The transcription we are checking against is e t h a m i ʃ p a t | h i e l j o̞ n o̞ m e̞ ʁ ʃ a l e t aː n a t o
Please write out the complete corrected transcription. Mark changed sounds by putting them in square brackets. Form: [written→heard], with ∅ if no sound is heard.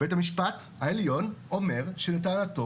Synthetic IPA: e t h a m i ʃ p a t | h [i→a] e l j o̞ n o̞ m e̞ ʁ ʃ [a→e] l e t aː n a t o